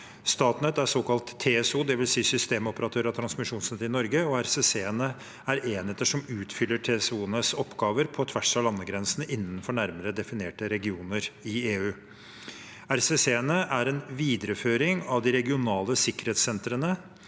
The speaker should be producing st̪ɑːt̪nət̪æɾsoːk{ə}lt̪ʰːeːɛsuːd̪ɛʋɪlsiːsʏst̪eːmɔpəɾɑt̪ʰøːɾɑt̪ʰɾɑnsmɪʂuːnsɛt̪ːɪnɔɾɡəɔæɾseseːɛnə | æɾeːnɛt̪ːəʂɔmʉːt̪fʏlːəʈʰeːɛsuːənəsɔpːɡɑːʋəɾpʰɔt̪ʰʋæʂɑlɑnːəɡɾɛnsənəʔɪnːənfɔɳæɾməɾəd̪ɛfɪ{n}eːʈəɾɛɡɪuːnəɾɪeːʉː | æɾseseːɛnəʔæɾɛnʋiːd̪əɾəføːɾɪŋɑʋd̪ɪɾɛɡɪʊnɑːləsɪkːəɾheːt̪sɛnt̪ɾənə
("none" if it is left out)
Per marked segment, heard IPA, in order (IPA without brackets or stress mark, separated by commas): ɑ, n